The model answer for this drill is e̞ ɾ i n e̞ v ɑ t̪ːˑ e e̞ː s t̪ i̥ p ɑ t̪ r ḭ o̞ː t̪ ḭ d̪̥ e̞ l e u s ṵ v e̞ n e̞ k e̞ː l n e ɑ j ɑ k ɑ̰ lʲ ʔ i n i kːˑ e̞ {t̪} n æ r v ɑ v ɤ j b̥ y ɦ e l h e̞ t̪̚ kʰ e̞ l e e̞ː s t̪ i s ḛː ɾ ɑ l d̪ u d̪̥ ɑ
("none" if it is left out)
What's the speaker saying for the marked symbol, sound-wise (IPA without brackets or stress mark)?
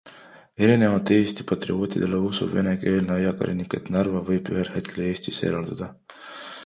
t̪